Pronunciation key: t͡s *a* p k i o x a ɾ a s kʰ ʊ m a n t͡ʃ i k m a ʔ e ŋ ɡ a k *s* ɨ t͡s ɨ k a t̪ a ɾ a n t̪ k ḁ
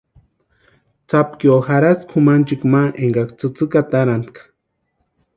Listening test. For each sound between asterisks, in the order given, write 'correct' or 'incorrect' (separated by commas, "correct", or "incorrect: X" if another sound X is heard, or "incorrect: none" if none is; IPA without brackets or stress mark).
correct, incorrect: t͡s